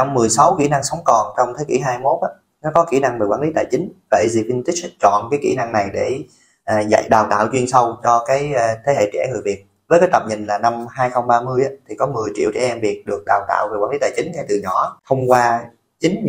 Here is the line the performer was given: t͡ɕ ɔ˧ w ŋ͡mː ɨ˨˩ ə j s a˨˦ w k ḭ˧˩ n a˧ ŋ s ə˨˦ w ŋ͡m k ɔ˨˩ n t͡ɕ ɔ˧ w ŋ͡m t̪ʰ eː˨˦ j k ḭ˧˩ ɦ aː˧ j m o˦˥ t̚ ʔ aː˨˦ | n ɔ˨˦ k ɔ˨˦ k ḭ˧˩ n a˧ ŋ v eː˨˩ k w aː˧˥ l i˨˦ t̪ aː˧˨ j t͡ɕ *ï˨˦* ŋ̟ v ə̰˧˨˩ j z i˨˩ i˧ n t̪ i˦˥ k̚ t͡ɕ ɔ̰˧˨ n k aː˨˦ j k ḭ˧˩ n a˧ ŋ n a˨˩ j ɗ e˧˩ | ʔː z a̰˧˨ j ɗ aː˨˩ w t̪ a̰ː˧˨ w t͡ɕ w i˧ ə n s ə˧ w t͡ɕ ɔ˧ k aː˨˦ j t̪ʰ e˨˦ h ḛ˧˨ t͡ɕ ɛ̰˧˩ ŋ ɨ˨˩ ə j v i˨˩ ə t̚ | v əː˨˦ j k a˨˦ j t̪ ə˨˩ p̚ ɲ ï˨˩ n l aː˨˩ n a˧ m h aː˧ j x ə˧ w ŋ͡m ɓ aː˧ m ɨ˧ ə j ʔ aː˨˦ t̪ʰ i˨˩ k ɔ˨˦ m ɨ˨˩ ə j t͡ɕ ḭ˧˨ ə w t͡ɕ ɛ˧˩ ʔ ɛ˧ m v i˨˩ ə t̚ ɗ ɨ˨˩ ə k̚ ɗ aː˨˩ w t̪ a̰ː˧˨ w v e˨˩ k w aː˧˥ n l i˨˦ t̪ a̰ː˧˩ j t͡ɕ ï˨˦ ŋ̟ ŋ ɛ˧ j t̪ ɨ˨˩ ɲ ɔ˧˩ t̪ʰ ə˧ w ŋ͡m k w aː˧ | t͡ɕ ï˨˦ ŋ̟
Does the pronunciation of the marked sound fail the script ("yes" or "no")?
no